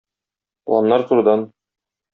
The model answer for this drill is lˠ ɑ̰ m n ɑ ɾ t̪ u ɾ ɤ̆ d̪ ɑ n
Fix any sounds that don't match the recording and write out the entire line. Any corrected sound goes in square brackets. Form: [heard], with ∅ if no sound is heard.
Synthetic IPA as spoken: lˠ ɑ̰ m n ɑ ɾ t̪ u ɾ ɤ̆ d̪ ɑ n